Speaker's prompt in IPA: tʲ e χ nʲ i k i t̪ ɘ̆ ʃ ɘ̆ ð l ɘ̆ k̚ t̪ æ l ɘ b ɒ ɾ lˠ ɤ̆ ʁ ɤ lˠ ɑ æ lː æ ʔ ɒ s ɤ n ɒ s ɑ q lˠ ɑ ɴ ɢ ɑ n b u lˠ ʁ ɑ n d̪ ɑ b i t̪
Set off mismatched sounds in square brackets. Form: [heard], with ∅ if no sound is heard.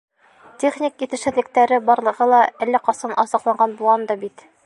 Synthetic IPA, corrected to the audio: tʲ e χ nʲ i k i t̪ ɘ̆ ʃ ɘ̆ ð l ɘ̆ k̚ t̪ æ [ɾ] ɘ b ɒ ɾ lˠ ɤ̆ ʁ ɤ lˠ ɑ æ lː æ [q] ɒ s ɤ n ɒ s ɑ q lˠ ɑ ɴ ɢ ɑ n b u lˠ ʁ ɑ n d̪ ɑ b i t̪